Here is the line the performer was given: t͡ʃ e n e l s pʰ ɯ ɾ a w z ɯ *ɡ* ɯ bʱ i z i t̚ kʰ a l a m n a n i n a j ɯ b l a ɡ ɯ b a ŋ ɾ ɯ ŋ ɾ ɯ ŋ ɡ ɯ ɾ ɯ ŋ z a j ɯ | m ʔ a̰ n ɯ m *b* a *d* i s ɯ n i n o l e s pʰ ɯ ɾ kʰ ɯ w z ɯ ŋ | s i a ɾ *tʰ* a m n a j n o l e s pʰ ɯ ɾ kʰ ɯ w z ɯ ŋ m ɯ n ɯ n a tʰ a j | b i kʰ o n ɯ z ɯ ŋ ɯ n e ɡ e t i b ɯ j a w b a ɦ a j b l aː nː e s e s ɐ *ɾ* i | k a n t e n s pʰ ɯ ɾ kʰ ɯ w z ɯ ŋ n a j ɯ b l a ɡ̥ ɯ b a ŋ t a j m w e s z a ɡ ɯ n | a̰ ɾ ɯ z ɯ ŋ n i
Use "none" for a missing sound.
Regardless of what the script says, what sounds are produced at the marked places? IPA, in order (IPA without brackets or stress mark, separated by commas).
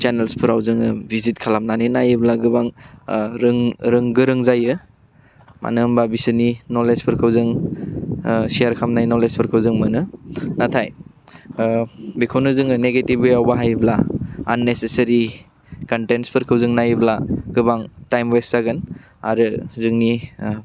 ŋ, b, b, kʰ, ɾ